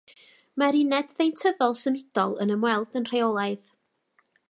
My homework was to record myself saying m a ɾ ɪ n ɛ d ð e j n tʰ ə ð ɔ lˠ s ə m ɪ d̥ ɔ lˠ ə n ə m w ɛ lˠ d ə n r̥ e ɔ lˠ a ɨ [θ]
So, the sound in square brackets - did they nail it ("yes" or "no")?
no